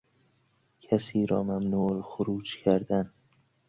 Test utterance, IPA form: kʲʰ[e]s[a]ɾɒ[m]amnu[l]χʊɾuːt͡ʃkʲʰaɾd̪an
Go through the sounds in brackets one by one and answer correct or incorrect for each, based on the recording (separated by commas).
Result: incorrect, incorrect, correct, correct